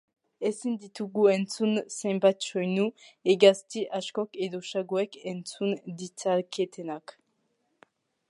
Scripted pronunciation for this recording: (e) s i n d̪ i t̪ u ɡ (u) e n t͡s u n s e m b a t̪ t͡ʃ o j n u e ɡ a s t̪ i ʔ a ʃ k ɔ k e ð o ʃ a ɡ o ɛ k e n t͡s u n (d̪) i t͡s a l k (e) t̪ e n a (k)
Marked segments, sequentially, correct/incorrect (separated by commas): correct, correct, correct, correct, correct